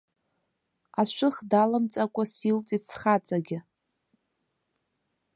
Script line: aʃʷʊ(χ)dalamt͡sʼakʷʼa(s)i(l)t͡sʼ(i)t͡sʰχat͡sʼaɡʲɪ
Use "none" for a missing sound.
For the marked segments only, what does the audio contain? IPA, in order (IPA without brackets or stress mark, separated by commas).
χ, s, l, i